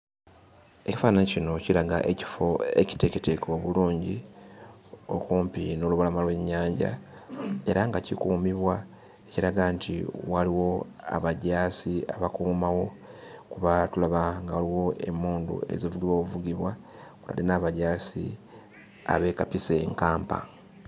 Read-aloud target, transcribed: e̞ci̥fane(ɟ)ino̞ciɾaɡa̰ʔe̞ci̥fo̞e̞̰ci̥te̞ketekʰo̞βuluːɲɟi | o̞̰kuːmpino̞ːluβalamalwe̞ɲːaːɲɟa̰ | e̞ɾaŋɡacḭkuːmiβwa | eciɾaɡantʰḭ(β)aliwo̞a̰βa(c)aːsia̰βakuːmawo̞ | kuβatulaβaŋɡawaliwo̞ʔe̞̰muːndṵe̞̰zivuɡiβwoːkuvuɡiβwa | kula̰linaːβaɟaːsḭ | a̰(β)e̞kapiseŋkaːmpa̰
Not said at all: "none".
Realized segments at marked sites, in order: c, w, ɟ, β

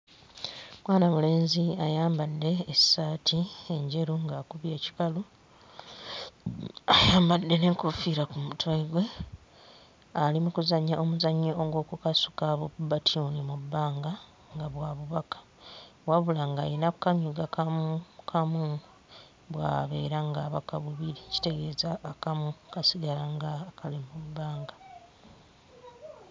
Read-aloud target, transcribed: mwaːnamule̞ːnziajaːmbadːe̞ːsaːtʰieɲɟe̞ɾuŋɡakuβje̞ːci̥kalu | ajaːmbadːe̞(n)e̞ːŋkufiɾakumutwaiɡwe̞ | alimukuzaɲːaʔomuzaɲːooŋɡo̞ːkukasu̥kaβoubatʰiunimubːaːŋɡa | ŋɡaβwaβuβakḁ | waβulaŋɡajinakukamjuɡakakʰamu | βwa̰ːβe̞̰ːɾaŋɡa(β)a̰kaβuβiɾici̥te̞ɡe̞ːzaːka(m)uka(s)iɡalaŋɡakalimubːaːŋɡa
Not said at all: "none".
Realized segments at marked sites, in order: n, β, m, s

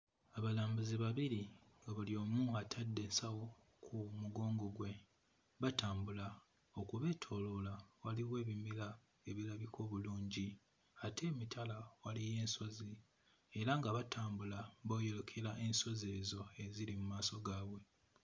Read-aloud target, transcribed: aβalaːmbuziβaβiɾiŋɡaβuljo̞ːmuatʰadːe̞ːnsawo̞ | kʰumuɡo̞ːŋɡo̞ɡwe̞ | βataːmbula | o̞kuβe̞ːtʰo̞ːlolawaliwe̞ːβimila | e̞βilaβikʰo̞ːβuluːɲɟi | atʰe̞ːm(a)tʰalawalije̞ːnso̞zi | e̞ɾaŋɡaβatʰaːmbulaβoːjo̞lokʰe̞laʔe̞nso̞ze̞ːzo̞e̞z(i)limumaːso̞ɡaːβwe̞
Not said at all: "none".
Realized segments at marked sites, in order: i, i

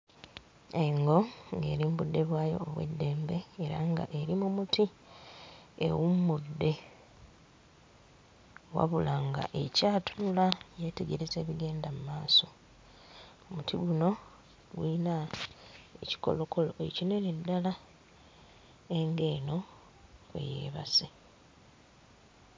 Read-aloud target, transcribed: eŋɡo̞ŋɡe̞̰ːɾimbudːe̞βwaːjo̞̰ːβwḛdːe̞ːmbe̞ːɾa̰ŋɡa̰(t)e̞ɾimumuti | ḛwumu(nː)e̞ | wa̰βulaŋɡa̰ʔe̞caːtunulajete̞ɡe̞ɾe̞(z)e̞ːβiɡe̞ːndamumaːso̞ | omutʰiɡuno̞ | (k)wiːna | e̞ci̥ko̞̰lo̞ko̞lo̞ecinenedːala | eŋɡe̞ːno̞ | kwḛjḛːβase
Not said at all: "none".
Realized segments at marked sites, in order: ʔ, dː, z, ɡ

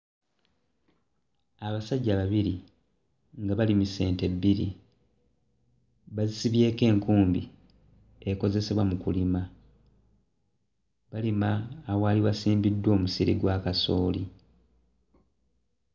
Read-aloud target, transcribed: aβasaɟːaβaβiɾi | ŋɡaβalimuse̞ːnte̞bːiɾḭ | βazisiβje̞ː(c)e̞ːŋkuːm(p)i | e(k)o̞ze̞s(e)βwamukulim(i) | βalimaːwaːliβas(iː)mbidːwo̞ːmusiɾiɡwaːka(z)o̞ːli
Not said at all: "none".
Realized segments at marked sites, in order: k, b, k, e, a, iː, s

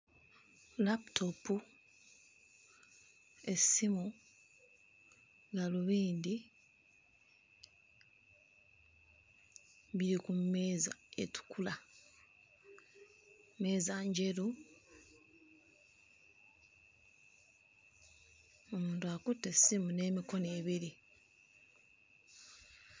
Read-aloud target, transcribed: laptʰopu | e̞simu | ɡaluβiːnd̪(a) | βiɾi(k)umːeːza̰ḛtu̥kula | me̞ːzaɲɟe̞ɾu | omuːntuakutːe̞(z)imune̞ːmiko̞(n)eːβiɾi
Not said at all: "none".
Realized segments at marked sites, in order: i, k, s, n

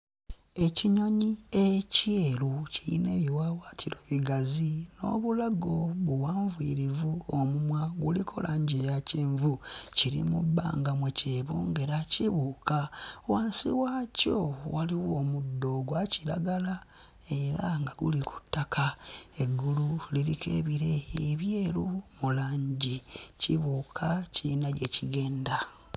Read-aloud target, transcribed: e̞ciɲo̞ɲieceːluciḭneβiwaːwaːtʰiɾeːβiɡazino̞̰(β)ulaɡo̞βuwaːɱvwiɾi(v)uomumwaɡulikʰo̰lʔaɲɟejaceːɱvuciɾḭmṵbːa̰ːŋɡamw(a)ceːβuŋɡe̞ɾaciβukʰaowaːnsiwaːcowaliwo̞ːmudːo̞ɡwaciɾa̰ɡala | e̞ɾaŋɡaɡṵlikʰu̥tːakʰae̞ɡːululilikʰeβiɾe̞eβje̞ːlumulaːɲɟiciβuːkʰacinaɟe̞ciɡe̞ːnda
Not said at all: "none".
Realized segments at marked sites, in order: β, v, e

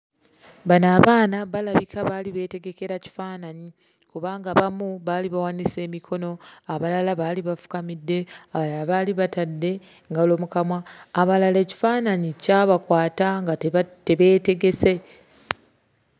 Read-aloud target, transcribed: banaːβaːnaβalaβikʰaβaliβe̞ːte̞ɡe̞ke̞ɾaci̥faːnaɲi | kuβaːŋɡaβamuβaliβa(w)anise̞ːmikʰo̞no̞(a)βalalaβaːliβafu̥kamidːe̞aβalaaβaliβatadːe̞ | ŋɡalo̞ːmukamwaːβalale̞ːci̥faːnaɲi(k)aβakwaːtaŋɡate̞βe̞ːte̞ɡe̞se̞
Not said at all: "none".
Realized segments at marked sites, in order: w, a, c

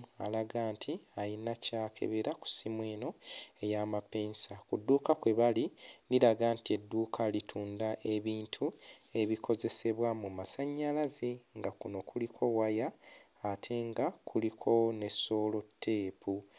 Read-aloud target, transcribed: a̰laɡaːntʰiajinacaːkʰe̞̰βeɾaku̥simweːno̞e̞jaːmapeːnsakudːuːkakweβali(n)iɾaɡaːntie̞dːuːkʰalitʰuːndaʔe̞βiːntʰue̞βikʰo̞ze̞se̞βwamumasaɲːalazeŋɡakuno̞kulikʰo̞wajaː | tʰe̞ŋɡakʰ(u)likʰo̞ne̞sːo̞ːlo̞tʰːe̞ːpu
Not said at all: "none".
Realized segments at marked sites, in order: n, u

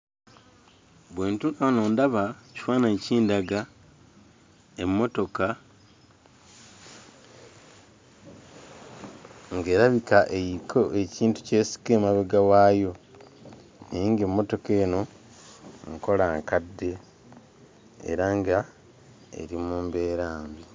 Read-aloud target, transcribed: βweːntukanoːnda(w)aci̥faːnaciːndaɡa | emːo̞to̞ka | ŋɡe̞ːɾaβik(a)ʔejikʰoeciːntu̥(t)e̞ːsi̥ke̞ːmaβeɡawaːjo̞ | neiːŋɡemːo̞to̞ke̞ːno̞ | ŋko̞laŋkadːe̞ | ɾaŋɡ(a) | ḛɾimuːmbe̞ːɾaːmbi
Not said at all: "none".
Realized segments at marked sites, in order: β, a, c, a

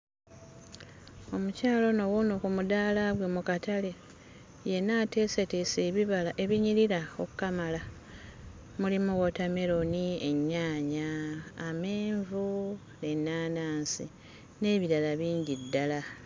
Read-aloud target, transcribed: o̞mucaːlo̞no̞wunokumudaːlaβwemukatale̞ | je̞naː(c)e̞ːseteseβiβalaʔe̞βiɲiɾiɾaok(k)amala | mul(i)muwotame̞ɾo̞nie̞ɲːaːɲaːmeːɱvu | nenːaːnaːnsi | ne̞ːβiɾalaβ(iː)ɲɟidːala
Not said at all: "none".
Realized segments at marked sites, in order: t, k, i, iː

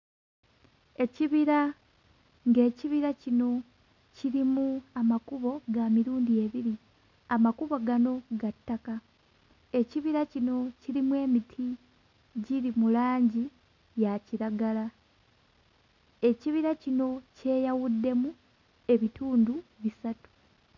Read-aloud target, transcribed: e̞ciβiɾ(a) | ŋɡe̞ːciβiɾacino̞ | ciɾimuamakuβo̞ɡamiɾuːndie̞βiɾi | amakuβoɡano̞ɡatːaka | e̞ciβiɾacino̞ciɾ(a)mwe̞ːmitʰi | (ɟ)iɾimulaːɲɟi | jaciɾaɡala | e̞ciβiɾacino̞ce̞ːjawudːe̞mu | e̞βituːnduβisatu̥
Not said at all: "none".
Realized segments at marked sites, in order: a, i, ɟ

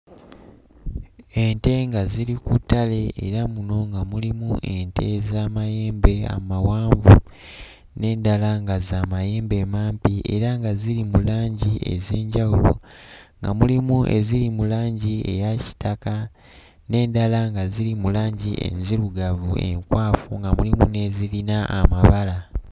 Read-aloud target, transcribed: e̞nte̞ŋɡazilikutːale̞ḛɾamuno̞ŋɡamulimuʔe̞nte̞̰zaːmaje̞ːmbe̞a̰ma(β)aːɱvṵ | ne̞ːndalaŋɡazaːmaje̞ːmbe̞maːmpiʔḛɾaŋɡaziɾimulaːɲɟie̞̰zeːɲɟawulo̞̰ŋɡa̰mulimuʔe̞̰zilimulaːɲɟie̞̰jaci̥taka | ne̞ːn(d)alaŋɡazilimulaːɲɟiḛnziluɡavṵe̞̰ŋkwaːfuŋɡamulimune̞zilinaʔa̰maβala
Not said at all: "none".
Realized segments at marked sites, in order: w, d

